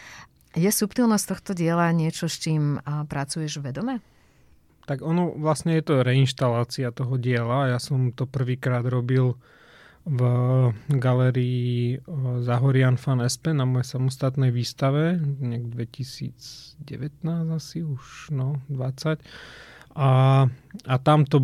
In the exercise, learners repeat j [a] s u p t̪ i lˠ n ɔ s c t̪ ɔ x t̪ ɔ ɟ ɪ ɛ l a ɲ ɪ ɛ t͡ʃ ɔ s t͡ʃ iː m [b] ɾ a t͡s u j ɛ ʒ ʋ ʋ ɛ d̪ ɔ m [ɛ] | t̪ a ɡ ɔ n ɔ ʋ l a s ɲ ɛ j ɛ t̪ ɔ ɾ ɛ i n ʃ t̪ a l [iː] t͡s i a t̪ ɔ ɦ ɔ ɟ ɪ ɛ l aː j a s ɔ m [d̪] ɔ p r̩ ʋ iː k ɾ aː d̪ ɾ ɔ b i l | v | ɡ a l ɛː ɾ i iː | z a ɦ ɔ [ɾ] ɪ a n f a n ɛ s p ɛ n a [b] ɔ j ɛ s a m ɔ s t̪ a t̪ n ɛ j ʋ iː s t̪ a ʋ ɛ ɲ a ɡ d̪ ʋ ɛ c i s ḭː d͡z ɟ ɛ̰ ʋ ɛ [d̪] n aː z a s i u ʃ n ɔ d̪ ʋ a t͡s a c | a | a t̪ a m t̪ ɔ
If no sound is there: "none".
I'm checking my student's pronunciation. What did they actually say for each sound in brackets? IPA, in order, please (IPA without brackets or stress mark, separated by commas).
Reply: ɛ, p, ɛ, aː, t̪, ɾ, m, t̪